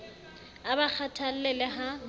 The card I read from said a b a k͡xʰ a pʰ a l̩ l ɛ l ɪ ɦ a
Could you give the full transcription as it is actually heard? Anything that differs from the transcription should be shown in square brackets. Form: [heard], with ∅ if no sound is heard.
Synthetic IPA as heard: a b a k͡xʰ a [tʰ] a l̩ l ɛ l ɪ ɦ a